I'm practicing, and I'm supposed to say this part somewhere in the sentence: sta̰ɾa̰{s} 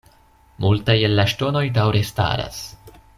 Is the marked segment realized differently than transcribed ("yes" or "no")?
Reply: no